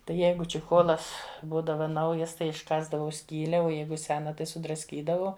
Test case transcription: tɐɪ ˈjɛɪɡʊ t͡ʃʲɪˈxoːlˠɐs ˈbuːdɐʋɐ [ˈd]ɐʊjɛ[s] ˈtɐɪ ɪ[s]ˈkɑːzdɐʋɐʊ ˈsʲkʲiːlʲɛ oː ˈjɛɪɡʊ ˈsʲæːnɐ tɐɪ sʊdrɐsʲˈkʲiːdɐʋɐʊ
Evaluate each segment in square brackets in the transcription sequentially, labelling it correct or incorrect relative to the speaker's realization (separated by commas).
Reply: incorrect, correct, incorrect